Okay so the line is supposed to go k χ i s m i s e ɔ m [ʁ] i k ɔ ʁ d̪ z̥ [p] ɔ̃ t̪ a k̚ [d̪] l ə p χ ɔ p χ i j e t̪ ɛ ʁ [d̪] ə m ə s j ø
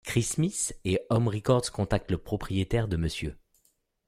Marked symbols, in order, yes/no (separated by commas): yes, no, no, yes